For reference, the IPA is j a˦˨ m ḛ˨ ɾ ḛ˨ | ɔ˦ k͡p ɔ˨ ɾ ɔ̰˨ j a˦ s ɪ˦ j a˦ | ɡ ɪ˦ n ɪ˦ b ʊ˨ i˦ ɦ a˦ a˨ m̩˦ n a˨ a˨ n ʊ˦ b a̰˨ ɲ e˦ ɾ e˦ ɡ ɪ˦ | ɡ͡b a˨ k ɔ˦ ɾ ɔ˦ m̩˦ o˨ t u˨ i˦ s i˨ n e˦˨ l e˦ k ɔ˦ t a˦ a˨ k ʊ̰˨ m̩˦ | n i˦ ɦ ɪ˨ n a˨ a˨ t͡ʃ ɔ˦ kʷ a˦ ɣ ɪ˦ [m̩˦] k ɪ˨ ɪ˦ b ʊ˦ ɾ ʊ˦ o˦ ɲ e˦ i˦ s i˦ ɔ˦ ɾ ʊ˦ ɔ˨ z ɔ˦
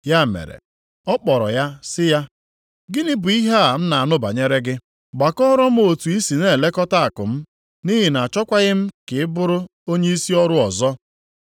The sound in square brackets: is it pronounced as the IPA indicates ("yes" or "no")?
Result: yes